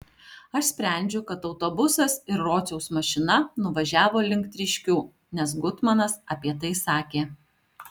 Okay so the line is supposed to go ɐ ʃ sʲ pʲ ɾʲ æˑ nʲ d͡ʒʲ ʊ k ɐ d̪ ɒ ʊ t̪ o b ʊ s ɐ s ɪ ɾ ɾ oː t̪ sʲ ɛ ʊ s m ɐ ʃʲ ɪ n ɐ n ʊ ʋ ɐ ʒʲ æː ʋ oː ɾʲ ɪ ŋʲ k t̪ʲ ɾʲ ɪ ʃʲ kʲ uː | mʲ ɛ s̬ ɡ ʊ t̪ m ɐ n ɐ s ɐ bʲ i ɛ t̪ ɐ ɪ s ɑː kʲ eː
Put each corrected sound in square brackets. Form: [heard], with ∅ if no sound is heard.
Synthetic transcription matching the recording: ɐ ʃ sʲ pʲ ɾʲ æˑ nʲ d͡ʒʲ ʊ k ɐ [t̪] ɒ ʊ t̪ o b ʊ s ɐ s ɪ ɾ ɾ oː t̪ sʲ ɛ ʊ s m ɐ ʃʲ ɪ n ɐ n ʊ ʋ ɐ ʒʲ æː ʋ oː [lʲ] ɪ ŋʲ k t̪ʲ ɾʲ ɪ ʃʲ kʲ uː | [nʲ] ɛ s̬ ɡ ʊ t̪ m ɐ n ɐ s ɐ [pʲ] i ɛ t̪ ɐ ɪ s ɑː kʲ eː